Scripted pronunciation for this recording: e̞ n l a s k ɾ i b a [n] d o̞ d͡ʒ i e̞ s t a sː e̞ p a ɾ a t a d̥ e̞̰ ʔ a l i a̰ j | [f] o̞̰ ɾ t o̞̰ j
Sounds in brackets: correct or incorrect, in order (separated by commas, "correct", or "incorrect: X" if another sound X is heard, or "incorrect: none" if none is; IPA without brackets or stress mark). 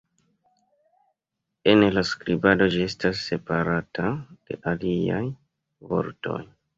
incorrect: none, incorrect: v